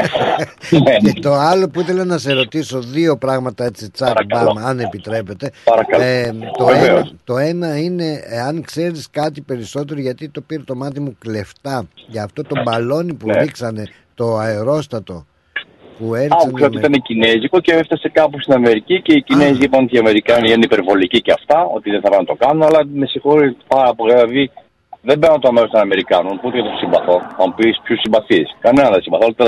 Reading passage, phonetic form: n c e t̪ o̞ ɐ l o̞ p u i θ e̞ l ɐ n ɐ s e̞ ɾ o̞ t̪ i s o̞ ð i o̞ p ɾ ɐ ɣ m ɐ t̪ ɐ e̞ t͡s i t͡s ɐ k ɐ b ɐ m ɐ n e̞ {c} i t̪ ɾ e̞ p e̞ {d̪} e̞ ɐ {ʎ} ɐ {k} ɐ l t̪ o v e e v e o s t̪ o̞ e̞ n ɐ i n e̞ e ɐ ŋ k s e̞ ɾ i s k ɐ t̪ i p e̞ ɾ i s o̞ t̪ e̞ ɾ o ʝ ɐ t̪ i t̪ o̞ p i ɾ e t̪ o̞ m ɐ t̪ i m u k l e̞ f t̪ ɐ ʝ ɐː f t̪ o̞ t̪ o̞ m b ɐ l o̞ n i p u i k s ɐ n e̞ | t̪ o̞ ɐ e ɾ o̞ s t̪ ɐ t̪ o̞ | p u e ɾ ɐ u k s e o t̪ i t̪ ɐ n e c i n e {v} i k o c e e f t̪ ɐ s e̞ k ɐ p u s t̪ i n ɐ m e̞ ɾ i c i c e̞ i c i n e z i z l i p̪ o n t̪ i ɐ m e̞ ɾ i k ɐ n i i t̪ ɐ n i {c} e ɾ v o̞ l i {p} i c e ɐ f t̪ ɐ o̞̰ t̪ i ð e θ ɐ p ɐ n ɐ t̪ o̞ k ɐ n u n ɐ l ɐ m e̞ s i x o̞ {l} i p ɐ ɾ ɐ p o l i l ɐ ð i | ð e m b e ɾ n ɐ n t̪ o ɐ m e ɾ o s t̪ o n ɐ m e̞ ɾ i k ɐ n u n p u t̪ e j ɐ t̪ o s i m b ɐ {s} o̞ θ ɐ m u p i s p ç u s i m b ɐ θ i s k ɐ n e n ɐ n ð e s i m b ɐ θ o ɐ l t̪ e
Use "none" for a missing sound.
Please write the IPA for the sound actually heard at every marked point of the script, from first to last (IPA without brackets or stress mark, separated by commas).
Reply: p, t̪, ɾ, k, z, p, c, ɾ, θ